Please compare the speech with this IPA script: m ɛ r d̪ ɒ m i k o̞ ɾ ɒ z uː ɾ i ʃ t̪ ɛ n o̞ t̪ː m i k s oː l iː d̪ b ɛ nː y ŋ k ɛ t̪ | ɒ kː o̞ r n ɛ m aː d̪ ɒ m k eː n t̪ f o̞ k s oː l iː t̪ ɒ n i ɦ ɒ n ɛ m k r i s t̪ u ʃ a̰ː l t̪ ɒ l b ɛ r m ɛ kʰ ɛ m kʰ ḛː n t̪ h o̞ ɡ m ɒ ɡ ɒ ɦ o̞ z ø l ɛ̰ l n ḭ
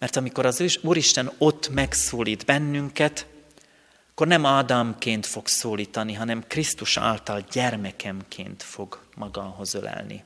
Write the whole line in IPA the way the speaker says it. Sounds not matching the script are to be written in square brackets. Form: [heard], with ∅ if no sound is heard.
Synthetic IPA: m ɛ r [t̪] ɒ m i k o̞ ɾ ɒ z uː ɾ i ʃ t̪ ɛ n o̞ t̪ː m [ɛ] k s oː l iː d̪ b ɛ nː y ŋ k ɛ t̪ | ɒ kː o̞ r n ɛ m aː d̪ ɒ m k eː n t̪ f o̞ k s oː l iː t̪ ɒ n i ɦ ɒ n ɛ m k r i s t̪ u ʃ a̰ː l t̪ ɒ l [ɟ] ɛ r m ɛ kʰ ɛ m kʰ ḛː n t̪ [f] o̞ ɡ m ɒ ɡ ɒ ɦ o̞ z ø l ɛ̰ l n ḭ